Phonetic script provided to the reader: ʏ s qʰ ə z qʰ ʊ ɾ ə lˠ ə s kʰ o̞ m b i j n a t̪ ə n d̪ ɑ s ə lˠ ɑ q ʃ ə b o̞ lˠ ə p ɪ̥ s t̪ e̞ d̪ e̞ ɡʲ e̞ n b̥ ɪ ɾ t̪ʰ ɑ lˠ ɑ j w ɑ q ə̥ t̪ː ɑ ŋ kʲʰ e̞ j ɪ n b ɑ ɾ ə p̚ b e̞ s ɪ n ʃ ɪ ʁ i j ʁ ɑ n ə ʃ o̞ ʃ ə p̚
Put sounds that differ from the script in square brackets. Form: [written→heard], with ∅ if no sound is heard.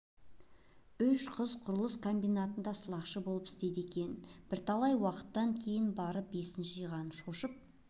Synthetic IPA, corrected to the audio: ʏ [s→ʃ] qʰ ə z qʰ ʊ ɾ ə lˠ ə s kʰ o̞ m b i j n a t̪ ə n d̪ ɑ s ə lˠ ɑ q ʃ ə b o̞ lˠ ə p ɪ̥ s t̪ e̞ d̪ e̞ [ɡʲ→kʲ] e̞ n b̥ ɪ ɾ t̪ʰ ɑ lˠ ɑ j w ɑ q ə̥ t̪ː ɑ ŋ kʲʰ e̞ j ɪ n b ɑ ɾ ə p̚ b e̞ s ɪ n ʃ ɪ [ʁ→ʒ] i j ʁ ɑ n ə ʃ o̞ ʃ ə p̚